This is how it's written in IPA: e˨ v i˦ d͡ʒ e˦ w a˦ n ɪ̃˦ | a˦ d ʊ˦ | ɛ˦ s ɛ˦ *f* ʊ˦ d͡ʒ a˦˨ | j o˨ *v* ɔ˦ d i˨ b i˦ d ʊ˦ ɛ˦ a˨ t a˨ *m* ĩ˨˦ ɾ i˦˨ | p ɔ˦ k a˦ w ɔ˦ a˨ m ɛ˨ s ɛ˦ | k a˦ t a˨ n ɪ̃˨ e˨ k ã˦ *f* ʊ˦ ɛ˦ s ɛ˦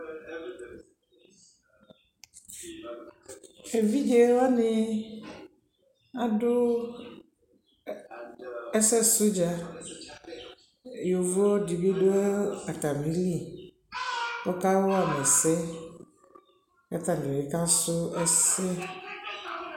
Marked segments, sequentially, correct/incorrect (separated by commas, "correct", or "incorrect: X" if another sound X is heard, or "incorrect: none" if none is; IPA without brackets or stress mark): incorrect: s, correct, correct, incorrect: s